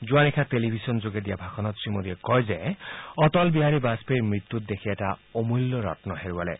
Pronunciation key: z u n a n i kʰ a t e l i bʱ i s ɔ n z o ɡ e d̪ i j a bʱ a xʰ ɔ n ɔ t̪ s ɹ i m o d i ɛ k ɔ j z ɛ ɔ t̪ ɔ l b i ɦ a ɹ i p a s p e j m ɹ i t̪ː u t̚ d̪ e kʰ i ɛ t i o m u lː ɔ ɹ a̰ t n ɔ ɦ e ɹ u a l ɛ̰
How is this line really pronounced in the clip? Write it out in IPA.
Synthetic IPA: z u a n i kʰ a t e l i bʱ i s ɔ n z o ɡ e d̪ i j a bʱ a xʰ ɔ n ɔ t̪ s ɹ i m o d i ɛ k ɔ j z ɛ ɔ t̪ ɔ l b i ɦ a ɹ i b a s p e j m ɹ i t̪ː u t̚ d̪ e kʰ i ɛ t a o m u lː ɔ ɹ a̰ t n ɔ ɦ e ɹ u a l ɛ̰